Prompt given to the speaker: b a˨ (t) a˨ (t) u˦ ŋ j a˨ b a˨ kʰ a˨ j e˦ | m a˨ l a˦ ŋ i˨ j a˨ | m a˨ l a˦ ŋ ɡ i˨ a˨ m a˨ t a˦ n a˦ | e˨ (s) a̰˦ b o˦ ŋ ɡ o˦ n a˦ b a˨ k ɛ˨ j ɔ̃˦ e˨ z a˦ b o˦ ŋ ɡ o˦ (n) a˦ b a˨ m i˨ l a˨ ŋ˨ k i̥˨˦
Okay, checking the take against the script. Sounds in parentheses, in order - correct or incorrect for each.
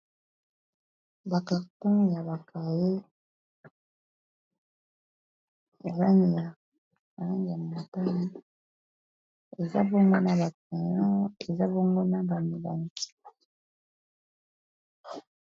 incorrect: k, correct, incorrect: z, correct

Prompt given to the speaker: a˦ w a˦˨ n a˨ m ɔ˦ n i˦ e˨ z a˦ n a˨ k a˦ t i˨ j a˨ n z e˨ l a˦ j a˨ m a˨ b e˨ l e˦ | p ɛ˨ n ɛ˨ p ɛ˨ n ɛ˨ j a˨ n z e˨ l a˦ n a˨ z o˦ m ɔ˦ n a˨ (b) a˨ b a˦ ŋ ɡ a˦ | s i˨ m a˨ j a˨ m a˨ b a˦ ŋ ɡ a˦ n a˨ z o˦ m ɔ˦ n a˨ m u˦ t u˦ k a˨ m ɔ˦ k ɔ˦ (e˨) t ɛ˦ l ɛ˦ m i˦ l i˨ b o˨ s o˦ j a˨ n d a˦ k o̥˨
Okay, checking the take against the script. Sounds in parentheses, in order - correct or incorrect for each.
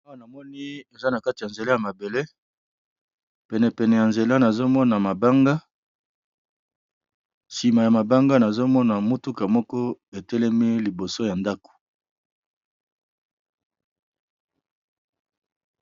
incorrect: m, correct

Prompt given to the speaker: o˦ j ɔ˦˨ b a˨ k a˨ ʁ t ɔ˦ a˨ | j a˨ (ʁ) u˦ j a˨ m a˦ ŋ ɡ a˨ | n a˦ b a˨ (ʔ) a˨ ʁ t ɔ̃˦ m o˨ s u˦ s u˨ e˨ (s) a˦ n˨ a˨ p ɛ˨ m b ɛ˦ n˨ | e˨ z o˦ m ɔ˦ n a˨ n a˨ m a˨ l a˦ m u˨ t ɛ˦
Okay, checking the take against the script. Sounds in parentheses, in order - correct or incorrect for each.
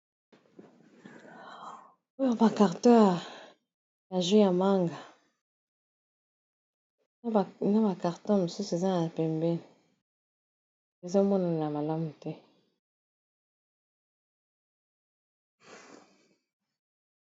incorrect: ʒ, incorrect: k, incorrect: z

